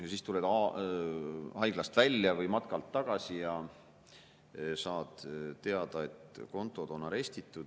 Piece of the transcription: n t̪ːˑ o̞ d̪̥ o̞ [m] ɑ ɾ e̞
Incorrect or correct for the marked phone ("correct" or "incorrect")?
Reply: incorrect